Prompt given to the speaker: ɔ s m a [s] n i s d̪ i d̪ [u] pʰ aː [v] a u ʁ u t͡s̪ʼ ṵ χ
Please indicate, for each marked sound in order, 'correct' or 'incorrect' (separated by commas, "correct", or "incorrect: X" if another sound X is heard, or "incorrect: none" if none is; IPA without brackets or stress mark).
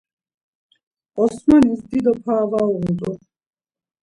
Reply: incorrect: none, incorrect: ɔ, correct